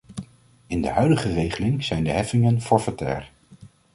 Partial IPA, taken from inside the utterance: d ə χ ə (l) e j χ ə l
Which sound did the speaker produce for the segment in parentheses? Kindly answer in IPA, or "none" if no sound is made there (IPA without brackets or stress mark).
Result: r